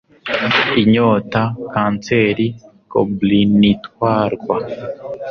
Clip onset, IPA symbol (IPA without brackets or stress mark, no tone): i